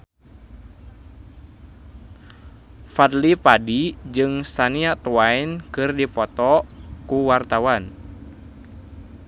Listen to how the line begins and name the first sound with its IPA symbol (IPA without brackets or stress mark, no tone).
f